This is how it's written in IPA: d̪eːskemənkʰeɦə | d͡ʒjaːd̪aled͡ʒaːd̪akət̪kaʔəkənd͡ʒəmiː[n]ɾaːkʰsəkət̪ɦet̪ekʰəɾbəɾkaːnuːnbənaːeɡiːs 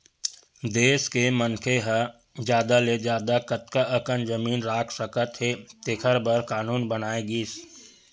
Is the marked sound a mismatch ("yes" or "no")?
no